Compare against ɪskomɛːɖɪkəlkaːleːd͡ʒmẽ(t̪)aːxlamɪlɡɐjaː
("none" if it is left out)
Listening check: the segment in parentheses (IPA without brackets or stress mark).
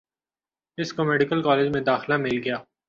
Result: d̪